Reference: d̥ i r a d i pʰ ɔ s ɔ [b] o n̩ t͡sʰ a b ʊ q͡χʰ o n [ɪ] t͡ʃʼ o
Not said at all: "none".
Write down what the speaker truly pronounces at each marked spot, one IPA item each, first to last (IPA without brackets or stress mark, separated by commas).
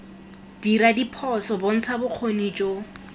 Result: b, i